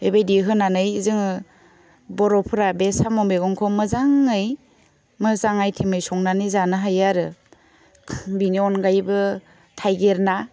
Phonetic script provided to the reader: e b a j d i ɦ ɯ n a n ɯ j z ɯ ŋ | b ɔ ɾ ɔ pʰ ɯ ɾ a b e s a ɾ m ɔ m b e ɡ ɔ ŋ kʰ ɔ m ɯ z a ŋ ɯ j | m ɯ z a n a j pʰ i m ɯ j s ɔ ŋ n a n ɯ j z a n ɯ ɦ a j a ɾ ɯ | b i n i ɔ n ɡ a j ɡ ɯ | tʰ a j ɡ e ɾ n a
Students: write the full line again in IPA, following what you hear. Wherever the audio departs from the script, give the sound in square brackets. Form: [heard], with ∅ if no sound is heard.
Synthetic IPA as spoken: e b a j d i ɦ ɯ n a n ɯ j z ɯ ŋ | b ɔ ɾ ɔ pʰ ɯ ɾ a b e s a [∅] m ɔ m b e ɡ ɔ ŋ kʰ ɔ m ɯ z a ŋ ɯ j | m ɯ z a [ŋ] a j [tʰ] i m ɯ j s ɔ ŋ n a n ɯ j z a n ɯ ɦ a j a ɾ ɯ | b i n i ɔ n ɡ a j [b] ɯ | tʰ a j ɡ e ɾ n a